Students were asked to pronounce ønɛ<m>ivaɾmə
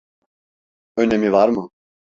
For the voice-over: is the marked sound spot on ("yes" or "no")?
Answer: yes